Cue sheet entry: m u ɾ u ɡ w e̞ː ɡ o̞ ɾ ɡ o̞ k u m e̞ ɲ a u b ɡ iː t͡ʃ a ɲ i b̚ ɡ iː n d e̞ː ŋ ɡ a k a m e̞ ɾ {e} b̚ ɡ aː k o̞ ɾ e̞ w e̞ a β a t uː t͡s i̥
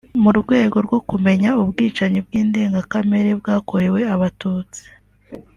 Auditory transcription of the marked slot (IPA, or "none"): e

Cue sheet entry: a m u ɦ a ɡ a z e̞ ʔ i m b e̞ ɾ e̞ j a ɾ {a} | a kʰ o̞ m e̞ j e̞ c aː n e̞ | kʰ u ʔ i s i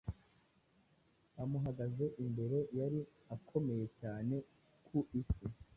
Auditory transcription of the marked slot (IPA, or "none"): i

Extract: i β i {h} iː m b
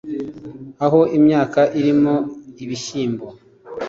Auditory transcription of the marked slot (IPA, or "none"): ʃ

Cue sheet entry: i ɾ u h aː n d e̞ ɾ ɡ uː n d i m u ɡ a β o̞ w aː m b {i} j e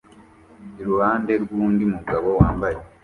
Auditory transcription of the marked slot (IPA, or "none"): a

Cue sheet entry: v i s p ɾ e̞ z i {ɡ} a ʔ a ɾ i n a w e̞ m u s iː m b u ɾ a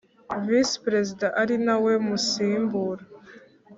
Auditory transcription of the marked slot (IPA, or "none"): d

